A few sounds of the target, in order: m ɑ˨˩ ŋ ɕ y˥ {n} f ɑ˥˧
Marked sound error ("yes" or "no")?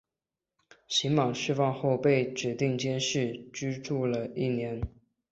yes